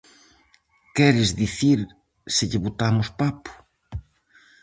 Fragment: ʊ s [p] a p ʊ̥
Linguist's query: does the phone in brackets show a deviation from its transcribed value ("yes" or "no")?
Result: no